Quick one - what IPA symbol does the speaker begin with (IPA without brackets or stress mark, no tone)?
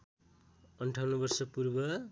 ʌ